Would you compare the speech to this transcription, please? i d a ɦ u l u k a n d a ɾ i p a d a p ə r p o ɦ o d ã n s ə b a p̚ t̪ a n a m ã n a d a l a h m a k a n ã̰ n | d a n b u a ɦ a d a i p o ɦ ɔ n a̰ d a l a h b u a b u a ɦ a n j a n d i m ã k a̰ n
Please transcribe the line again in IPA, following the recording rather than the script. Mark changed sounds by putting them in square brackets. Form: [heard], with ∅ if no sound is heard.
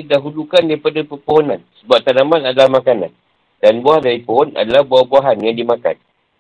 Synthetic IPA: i d a ɦ u l u k a n d a ɾ i p a d a p ə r p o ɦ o [n] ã n s ə b a p̚ t̪ a n a m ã n a d a l a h m a k a n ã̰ n | d a n b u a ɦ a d a i p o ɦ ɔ n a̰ d a l a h b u a b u a ɦ a n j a [ŋ] d i m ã k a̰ n